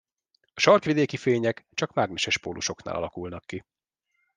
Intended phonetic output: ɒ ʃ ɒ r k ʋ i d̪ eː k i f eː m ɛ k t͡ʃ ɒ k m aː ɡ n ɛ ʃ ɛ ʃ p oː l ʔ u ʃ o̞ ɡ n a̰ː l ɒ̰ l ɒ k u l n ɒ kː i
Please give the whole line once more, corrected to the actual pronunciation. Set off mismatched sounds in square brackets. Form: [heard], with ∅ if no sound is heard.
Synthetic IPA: ɒ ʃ ɒ r k ʋ i d̪ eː k i f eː [ɲ] ɛ k t͡ʃ ɒ k m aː ɡ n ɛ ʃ ɛ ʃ p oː l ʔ u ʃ o̞ [k] n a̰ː l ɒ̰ l ɒ k u l n ɒ kː i